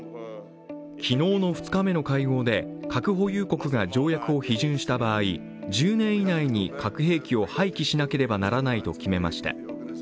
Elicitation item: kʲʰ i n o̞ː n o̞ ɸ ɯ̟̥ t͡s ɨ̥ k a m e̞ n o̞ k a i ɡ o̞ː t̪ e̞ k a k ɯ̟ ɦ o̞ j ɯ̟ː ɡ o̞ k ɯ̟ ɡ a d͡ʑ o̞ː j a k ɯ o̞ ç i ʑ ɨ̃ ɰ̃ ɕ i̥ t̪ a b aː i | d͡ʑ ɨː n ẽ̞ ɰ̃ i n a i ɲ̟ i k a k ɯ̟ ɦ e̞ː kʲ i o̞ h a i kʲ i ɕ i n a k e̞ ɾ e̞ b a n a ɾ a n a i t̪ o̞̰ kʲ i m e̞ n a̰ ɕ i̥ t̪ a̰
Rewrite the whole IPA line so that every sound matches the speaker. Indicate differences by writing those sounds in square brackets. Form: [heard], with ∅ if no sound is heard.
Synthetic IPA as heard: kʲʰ i n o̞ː n o̞ ɸ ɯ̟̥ t͡s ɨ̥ k a m e̞ n o̞ k a i ɡ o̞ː [d̪] e̞ k a k ɯ̟ ɦ o̞ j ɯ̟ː [k] o̞ k ɯ̟ ɡ a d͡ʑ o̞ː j a k ɯ o̞ ç i ʑ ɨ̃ ɰ̃ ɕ i̥ t̪ a b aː i | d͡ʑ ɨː n ẽ̞ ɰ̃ i n a i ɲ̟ i k a k ɯ̟ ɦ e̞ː kʲ i o̞ h a i kʲ i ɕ i n a k e̞ ɾ e̞ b a n a ɾ a n a i t̪ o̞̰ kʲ i m e̞ [m] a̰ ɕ i̥ t̪ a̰